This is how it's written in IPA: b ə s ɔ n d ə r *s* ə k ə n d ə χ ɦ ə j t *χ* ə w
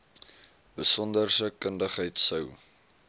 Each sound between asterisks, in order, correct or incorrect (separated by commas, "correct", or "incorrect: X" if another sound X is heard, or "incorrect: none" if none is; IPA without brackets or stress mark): correct, incorrect: s